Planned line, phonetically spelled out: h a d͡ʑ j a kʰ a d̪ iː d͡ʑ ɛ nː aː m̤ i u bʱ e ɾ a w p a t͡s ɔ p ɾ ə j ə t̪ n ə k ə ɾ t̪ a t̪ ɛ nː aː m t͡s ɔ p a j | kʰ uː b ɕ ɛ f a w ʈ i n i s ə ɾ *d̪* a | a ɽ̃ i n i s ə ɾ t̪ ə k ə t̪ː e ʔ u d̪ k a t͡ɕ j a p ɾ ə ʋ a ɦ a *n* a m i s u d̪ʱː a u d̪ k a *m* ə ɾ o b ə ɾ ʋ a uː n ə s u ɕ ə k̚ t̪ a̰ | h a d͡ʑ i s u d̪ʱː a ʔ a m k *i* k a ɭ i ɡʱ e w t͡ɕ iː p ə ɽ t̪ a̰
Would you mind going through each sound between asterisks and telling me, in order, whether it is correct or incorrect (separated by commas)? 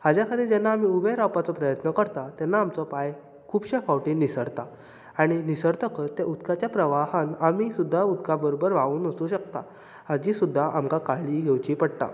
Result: incorrect, correct, incorrect, incorrect